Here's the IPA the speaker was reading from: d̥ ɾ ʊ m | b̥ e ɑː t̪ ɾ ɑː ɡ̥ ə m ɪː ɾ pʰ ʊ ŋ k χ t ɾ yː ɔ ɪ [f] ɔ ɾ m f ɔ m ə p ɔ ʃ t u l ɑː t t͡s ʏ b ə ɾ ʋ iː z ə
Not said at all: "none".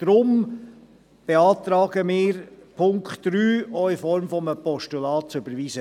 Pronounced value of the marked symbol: f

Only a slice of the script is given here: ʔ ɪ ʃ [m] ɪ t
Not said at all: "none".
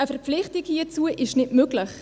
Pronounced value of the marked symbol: n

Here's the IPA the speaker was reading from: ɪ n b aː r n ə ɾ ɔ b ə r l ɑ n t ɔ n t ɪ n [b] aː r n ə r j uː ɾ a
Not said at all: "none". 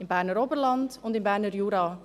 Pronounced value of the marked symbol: b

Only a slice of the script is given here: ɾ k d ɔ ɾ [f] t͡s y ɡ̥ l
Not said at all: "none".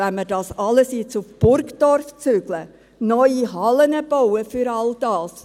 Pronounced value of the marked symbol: f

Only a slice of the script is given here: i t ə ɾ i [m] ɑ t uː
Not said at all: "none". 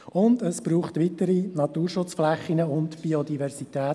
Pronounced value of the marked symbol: n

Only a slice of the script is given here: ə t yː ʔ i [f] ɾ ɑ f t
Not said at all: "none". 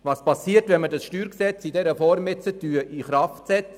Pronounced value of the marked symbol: χ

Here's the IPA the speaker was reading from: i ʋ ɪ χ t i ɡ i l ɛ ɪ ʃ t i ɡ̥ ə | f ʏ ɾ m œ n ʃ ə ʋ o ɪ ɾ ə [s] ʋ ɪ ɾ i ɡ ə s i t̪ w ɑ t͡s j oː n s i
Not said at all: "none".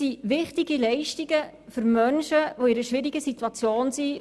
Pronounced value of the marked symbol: ʃ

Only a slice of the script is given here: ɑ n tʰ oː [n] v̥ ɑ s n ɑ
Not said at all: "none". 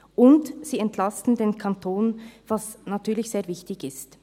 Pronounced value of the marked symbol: n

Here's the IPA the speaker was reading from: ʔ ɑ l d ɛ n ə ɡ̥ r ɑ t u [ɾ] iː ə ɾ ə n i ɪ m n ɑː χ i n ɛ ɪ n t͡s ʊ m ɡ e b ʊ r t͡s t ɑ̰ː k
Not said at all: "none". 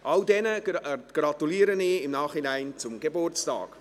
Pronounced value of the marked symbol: l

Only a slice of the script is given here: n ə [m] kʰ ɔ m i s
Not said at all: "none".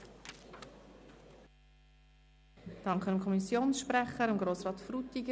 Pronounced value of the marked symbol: m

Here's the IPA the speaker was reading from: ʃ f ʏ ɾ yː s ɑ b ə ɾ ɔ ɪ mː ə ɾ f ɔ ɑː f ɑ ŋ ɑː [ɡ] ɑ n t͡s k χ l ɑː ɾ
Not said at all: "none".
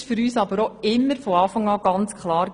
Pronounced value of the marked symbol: ɡ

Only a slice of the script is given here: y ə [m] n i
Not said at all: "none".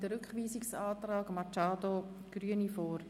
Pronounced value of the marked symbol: none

